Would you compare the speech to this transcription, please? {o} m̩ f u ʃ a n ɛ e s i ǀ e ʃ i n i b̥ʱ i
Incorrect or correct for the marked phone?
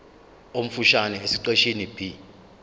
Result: correct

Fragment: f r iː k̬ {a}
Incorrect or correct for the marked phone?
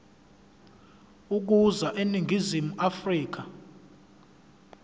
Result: correct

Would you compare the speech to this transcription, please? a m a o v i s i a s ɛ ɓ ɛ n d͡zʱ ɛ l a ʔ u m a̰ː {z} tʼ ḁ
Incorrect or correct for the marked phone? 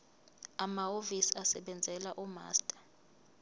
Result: incorrect: s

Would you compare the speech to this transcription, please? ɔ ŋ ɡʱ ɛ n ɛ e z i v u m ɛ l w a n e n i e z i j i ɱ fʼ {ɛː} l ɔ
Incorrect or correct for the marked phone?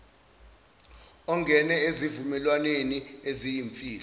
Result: incorrect: iː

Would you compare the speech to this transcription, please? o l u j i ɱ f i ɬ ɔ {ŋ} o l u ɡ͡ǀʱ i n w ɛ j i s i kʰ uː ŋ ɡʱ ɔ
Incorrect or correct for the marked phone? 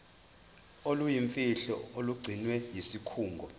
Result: incorrect: none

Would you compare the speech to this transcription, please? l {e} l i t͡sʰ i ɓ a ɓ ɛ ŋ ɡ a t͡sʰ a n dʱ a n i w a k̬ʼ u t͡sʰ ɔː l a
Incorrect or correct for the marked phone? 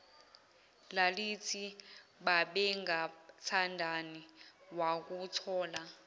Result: incorrect: a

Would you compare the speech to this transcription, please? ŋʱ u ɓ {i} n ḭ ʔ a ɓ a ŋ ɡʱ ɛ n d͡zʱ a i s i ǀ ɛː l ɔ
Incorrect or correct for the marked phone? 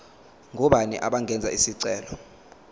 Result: incorrect: a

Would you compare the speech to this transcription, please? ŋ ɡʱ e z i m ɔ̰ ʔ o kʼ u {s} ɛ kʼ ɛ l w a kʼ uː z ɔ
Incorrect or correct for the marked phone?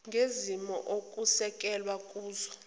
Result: correct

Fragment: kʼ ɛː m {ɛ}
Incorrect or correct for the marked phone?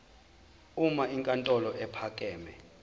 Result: correct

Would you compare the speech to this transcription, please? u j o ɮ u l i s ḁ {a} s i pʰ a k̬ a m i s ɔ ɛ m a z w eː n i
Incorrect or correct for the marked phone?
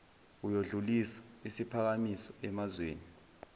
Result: incorrect: i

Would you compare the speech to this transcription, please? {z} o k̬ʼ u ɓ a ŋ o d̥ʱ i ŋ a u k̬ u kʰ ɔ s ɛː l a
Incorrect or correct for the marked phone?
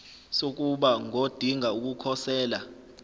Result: incorrect: s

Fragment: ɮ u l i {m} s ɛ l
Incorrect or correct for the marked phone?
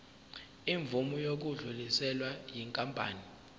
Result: incorrect: none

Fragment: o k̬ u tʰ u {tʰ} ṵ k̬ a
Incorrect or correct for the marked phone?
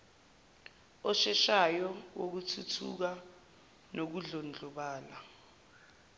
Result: correct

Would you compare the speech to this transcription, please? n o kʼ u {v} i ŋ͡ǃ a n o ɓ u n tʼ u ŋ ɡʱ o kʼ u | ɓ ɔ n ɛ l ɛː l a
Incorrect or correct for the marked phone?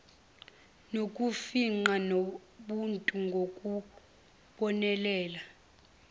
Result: incorrect: f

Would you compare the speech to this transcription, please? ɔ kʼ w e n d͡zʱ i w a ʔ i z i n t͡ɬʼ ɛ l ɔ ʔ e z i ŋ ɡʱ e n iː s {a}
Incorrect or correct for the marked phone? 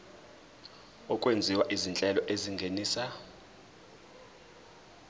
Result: correct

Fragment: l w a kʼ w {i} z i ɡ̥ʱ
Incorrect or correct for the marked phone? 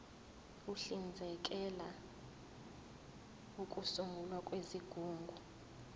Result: incorrect: e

